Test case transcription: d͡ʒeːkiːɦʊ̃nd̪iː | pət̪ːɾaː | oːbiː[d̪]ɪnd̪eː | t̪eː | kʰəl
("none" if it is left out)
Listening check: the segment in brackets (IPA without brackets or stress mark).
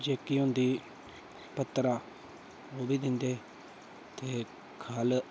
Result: d̪